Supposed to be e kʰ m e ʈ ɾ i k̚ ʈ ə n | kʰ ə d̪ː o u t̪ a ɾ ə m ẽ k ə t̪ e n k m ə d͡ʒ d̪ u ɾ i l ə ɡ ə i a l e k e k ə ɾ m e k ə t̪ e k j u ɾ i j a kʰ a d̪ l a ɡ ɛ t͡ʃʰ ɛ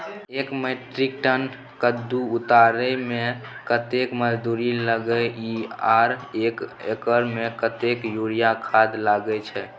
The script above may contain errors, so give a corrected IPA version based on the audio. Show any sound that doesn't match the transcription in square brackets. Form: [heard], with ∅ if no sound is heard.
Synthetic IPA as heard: e [k] m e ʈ ɾ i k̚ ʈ ə n | [k] ə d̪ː [u] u t̪ a ɾ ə m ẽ k ə t̪ e [∅] k m ə d͡ʒ d̪ u ɾ i l ə ɡ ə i a [ɾ] e k e k ə ɾ m e k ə t̪ e k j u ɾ i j a kʰ a d̪ l a ɡ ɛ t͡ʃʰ ɛ